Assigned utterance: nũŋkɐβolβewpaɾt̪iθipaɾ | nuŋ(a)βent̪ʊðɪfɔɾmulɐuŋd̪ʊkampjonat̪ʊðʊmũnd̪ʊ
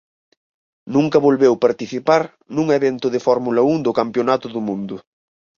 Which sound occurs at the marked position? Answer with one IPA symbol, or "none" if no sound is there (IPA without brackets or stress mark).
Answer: e